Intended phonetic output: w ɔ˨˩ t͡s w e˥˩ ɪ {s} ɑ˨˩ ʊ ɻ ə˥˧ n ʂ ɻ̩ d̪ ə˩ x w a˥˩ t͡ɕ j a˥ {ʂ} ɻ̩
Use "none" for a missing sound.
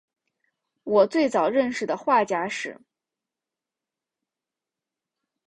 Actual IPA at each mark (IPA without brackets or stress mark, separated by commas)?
t͡s, ʂ